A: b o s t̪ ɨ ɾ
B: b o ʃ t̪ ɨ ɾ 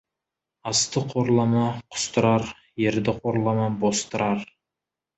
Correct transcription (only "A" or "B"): A